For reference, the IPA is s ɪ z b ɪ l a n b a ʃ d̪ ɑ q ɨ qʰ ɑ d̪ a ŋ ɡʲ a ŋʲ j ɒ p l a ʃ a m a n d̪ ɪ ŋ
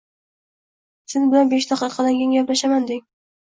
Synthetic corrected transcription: s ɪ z b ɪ l a n b e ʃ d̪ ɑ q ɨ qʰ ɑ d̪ a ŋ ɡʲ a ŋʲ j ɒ p l a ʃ a m a n d̪ ɪ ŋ